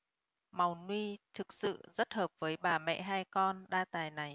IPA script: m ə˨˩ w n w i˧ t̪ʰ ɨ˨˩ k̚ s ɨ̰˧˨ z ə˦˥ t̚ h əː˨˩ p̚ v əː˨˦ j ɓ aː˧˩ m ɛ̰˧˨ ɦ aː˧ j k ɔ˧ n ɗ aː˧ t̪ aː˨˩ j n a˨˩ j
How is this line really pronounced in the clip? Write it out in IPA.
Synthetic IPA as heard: m a˨˩ w n w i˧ t̪ʰ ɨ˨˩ k̚ s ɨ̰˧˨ z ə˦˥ t̚ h əː˨˩ p̚ v əː˨˦ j ɓ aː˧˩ m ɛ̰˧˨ ɦ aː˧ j k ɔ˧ n ɗ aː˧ t̪ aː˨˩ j n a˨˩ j